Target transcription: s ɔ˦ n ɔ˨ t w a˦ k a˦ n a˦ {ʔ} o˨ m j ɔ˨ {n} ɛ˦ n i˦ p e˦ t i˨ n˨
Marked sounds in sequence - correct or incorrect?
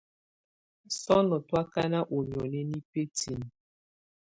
correct, correct

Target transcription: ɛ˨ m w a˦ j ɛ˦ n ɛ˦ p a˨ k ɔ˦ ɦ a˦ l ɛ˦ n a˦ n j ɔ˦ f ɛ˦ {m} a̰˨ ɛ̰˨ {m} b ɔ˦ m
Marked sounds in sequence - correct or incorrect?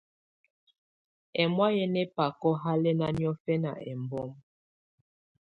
incorrect, correct

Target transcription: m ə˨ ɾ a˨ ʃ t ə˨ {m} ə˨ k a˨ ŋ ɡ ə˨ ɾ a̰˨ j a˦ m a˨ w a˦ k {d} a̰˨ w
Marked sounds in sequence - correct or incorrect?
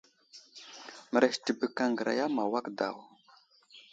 incorrect, correct

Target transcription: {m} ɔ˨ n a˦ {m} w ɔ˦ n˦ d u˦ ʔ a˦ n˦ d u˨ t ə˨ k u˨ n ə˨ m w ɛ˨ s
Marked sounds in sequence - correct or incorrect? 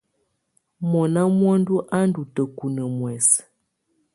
correct, correct

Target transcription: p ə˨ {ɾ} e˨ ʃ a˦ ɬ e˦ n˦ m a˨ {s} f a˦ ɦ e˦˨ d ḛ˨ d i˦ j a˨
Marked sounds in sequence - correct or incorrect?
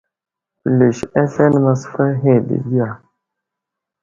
incorrect, correct

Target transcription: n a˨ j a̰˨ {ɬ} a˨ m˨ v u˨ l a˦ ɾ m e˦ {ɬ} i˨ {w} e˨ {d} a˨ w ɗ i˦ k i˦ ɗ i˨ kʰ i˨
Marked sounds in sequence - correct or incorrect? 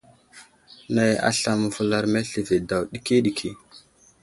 correct, correct, incorrect, correct

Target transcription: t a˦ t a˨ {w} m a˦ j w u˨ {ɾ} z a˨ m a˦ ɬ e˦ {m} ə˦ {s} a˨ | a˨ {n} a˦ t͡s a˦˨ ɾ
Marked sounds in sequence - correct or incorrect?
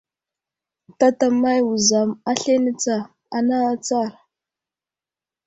incorrect, incorrect, incorrect, incorrect, correct

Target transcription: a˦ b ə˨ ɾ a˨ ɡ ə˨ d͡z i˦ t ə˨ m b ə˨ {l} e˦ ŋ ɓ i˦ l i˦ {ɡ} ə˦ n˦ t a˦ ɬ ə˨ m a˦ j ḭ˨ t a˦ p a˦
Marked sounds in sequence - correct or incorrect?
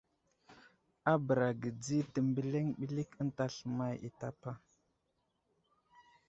correct, incorrect

